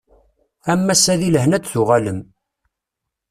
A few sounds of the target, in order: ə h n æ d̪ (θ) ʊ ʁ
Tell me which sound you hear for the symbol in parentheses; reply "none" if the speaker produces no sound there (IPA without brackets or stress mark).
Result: θ